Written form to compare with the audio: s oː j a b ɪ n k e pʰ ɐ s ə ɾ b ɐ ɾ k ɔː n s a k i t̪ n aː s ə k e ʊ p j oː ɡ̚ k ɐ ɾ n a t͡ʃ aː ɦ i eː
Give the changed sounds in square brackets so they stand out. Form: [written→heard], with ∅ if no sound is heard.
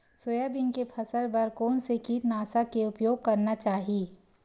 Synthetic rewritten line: s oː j a b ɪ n k e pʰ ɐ s ə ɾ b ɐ ɾ k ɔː n s [a→e] k i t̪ n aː s [ə→a] k e ʊ p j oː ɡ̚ k ɐ ɾ n a t͡ʃ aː ɦ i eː